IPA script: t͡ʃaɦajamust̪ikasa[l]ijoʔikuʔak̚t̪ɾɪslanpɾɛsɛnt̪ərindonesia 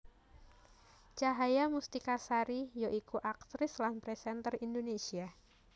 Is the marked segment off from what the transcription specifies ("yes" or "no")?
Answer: yes